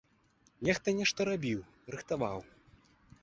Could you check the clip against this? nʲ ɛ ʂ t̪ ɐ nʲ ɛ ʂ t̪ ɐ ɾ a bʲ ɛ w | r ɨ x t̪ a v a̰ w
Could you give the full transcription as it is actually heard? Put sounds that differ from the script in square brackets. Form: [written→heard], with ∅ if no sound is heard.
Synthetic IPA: nʲ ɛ [ʂ→x] t̪ ɐ nʲ ɛ ʂ t̪ ɐ ɾ a bʲ [ɛ→i] w | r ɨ x t̪ a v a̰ w